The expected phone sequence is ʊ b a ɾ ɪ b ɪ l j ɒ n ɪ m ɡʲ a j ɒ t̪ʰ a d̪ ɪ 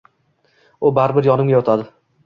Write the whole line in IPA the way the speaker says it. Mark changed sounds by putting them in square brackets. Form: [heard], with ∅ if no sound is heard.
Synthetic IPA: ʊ b a ɾ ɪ b ɪ [ɾ] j ɒ n ɪ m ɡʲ a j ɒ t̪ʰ a d̪ ɪ